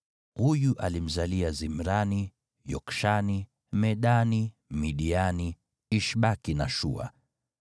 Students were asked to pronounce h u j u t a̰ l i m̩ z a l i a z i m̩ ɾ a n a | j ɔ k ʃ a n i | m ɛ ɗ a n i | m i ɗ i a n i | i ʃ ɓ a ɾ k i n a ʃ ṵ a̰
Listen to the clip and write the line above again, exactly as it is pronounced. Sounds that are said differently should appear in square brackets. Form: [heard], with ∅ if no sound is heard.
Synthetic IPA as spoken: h u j u [ʔ] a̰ l i m̩ z a l i a z i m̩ ɾ a n [i] | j ɔ k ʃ a n i | m ɛ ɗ a n i | m i ɗ i a n i | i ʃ ɓ a [∅] k i n a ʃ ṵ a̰